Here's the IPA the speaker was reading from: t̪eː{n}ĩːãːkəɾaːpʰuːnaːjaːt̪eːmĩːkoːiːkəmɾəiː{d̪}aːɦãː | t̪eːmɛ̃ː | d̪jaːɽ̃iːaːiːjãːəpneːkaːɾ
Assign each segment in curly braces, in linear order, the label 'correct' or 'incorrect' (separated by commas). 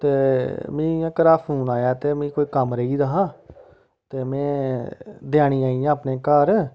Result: incorrect, correct